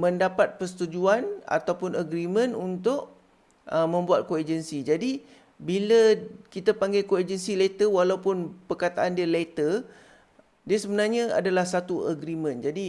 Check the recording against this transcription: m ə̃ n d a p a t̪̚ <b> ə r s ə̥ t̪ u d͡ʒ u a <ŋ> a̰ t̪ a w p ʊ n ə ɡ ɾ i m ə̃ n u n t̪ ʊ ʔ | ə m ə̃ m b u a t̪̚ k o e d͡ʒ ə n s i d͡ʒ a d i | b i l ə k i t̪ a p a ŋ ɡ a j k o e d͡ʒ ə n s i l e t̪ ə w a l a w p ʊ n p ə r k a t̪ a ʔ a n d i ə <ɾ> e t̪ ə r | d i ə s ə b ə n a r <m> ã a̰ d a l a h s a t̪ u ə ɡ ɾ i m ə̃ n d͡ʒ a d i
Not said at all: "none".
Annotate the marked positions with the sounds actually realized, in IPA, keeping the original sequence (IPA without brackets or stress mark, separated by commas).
p, n, l, ɲ